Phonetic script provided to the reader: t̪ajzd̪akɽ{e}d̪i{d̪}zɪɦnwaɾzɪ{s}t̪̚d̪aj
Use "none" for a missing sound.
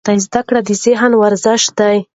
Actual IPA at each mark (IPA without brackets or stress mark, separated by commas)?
a, none, ʃ